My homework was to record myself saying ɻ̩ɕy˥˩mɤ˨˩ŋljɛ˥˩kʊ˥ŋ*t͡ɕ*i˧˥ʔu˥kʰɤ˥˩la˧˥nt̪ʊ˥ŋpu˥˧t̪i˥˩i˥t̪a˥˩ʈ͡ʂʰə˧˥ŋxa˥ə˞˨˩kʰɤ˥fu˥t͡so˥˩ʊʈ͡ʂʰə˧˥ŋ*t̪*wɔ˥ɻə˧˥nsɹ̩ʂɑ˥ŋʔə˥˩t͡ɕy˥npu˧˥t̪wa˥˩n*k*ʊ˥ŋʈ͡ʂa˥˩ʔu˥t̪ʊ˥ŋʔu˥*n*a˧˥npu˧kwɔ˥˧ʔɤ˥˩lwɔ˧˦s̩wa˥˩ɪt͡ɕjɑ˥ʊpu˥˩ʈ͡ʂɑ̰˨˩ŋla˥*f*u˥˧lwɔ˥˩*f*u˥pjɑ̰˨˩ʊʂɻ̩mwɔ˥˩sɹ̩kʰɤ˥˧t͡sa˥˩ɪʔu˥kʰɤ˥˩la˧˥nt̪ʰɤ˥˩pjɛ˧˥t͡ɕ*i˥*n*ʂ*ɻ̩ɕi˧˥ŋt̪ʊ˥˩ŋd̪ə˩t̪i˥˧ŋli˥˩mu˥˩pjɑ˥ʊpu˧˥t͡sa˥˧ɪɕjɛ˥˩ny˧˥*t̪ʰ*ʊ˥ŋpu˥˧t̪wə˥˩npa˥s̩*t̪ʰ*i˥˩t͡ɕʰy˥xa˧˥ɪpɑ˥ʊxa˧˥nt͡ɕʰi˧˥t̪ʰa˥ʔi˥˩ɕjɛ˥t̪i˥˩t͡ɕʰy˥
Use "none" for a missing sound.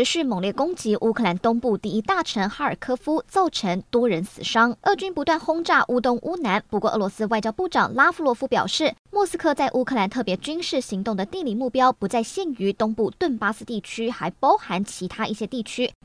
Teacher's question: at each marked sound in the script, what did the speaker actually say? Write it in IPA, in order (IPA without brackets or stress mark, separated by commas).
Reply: t͡ɕ, t̪, x, n, f, f, y˥, ʂ, t̪, t̪